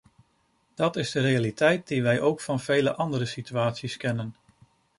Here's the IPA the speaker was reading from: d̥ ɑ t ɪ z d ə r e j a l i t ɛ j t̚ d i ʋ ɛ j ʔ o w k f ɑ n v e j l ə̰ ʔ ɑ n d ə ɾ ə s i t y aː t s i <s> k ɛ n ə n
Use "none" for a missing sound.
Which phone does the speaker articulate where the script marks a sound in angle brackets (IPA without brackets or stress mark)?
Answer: s